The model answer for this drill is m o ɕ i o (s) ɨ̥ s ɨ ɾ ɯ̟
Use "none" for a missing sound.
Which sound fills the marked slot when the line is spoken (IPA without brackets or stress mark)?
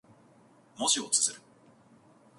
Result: t͡s